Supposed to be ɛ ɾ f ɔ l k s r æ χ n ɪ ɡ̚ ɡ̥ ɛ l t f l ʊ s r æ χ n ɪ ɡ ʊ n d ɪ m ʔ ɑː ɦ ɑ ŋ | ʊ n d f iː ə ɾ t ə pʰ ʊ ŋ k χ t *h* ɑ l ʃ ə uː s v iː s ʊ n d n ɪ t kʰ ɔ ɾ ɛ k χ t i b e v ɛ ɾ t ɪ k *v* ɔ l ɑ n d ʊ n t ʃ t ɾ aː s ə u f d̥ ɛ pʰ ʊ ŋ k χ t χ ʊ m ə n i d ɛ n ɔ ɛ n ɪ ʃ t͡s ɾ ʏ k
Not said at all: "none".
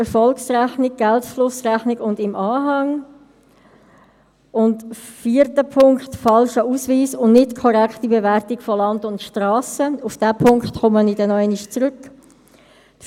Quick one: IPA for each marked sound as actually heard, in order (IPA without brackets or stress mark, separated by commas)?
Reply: f, f